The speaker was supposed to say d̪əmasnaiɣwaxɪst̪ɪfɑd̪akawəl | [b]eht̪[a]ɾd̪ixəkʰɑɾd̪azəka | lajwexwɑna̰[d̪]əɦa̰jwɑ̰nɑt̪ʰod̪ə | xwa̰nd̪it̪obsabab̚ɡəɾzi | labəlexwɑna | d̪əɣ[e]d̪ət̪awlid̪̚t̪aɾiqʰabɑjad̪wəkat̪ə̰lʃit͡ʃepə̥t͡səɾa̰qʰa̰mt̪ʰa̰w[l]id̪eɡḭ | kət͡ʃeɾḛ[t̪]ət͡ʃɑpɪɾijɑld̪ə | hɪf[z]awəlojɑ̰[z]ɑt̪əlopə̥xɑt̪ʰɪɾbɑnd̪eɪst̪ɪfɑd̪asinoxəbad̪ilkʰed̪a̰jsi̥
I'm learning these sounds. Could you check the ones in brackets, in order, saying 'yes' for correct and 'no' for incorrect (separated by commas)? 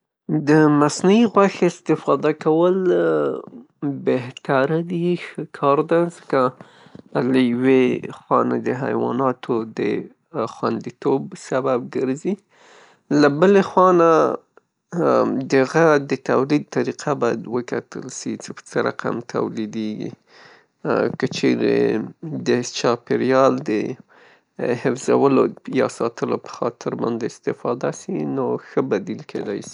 yes, yes, yes, no, yes, no, yes, no